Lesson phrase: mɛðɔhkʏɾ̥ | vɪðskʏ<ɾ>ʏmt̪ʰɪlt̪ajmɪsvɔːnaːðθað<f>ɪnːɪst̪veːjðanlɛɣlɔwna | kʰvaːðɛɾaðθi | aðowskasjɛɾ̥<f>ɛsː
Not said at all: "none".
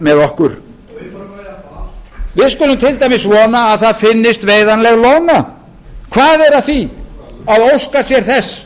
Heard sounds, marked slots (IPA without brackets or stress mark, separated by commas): l, f, θ